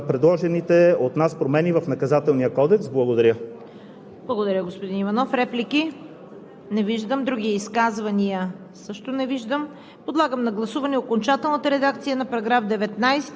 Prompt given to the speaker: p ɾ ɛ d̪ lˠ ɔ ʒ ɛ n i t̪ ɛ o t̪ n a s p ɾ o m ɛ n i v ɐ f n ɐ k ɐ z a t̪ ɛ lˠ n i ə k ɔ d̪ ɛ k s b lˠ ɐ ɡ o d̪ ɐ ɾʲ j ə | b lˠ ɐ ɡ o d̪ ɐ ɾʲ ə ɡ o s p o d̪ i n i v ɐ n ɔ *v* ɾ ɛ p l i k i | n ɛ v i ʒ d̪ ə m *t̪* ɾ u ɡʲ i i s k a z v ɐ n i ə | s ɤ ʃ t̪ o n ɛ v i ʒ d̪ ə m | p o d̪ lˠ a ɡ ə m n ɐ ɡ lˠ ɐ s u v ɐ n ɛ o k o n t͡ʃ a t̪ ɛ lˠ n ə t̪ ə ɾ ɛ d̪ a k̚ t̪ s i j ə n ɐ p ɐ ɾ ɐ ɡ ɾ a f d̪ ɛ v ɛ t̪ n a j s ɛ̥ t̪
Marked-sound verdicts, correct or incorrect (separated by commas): incorrect, incorrect